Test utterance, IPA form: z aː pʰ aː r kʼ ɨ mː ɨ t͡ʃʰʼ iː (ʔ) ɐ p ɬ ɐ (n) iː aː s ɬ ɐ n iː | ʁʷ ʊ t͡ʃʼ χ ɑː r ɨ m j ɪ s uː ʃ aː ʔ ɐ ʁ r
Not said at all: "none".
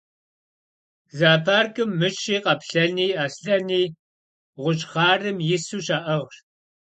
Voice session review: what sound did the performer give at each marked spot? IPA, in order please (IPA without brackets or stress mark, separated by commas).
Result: q, n